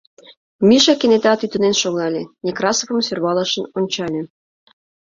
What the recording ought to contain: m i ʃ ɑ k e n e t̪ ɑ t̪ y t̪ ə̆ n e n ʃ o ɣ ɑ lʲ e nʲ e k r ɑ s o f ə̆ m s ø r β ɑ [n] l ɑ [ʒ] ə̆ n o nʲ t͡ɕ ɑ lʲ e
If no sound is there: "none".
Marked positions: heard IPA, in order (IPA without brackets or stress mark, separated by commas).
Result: none, ʃ